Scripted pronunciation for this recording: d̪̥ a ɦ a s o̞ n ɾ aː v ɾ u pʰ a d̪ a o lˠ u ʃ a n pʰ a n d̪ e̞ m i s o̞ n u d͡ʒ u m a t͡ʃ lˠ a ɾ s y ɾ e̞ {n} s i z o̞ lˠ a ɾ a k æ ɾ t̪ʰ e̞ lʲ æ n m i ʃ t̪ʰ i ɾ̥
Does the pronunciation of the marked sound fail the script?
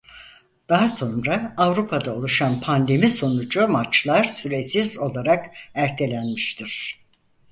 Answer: yes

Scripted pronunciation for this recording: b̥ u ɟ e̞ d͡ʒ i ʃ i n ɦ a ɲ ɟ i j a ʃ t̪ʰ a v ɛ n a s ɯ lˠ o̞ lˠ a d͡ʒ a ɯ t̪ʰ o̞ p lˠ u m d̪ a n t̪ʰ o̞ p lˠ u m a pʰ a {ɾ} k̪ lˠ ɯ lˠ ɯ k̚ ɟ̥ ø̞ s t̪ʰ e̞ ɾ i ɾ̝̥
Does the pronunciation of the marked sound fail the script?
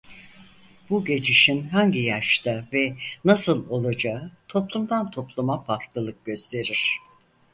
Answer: no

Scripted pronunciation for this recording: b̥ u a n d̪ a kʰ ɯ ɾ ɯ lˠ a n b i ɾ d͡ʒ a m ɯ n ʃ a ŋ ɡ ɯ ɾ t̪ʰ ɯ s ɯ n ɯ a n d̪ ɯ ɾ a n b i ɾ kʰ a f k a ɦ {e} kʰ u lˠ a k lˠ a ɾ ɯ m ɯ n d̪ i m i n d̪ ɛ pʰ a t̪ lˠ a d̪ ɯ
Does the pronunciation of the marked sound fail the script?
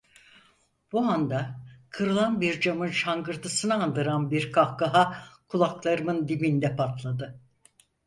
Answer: yes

